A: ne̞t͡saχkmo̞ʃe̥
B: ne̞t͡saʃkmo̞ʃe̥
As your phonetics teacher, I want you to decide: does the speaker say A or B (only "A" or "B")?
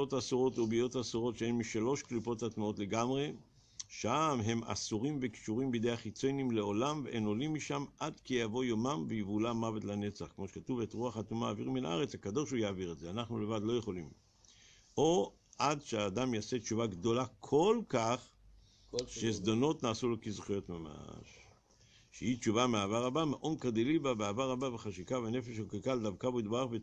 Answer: A